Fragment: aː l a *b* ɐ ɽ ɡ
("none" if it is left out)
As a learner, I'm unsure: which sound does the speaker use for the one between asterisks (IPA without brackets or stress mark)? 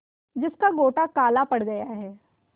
p